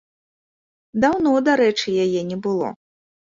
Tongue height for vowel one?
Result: low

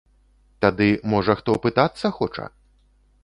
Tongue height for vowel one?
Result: low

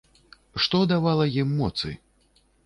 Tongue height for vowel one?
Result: mid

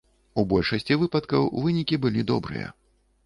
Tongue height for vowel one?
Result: high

